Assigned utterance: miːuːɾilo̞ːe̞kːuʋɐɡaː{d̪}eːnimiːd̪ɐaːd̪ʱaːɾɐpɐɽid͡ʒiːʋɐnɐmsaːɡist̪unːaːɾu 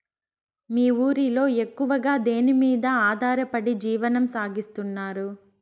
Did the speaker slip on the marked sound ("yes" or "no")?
no